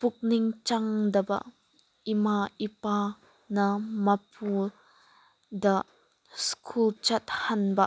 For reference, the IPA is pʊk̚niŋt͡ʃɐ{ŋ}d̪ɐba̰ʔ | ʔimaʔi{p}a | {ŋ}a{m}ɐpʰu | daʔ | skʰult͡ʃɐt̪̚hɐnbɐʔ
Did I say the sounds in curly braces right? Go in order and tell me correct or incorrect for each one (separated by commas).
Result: correct, correct, incorrect, correct